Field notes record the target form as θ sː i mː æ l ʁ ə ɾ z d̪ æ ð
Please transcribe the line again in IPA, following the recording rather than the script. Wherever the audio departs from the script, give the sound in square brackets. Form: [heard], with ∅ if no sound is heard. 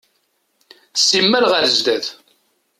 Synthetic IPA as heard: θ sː i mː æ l ʁ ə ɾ z d̪ æ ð